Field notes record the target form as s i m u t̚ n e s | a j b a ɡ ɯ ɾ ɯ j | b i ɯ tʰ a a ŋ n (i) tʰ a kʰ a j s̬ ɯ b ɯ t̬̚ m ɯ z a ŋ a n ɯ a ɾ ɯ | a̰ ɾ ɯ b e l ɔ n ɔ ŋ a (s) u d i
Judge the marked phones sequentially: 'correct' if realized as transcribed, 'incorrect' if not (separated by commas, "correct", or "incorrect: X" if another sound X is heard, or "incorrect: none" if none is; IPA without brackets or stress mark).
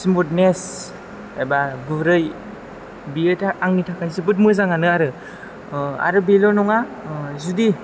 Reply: correct, incorrect: z